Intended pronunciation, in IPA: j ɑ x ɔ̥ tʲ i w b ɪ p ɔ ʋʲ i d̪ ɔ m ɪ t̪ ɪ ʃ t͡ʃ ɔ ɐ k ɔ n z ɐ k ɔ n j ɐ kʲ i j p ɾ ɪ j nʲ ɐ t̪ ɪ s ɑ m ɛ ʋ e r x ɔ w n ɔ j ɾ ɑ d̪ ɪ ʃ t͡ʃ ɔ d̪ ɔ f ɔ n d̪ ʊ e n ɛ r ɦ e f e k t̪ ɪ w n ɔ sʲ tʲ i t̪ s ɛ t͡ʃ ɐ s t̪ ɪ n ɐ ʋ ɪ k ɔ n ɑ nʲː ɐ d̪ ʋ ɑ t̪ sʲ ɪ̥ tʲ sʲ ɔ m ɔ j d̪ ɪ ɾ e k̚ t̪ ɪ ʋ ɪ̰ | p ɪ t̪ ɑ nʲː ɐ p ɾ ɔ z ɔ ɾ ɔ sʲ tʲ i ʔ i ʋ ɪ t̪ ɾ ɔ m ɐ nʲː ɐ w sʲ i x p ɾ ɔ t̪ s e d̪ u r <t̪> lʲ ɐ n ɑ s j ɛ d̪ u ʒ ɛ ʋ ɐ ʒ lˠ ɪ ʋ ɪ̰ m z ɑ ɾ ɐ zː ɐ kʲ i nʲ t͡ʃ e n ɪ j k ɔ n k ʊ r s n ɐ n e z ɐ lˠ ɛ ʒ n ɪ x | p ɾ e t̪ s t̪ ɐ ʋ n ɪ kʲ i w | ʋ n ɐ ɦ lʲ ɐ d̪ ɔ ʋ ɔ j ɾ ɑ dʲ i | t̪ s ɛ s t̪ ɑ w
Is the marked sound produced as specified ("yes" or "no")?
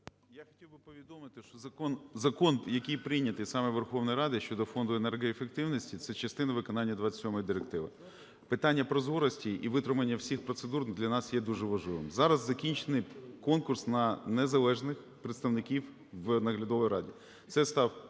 no